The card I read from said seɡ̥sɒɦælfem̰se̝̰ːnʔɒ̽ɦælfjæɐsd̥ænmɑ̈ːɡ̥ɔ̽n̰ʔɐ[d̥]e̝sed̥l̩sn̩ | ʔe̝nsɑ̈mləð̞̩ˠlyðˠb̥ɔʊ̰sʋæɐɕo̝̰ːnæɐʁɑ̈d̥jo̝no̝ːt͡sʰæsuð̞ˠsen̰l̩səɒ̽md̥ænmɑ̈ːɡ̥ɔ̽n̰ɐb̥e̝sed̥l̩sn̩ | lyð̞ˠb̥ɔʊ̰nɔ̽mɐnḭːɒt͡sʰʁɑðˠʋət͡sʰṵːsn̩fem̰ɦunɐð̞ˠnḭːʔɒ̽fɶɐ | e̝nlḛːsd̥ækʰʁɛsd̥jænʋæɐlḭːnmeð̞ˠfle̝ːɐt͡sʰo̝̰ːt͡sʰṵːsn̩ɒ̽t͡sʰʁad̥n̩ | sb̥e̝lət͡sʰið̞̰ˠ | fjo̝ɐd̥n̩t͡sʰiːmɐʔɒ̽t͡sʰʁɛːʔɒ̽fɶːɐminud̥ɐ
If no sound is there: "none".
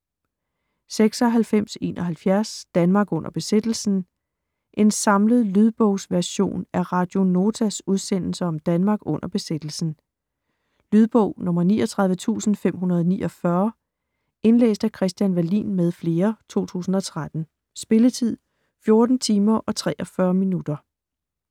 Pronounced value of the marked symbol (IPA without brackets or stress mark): b̥